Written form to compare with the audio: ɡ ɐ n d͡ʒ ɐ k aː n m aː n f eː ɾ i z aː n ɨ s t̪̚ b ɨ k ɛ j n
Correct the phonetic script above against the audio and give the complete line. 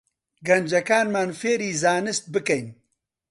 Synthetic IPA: ɡ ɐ n d͡ʒ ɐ k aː n m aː n f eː ɾ iː z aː n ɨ s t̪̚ b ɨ k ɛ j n